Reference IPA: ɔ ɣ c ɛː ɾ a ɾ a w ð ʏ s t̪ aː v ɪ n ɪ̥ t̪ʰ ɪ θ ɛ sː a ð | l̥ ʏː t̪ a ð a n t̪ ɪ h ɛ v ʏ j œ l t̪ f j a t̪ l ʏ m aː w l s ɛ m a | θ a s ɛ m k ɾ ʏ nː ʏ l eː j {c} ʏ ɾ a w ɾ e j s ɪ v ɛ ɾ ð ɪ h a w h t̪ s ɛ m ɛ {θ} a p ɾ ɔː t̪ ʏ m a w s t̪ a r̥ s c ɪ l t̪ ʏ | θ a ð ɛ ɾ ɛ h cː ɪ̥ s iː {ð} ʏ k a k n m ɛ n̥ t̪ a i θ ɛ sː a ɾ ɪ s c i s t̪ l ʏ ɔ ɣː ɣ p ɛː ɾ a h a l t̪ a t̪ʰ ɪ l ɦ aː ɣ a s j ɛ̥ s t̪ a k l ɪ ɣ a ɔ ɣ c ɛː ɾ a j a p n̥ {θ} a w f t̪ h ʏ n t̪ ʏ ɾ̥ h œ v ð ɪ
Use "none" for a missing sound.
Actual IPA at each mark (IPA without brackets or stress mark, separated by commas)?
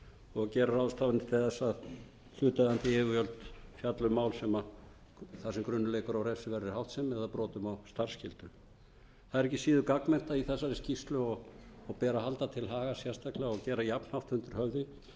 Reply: k, ð, ð, h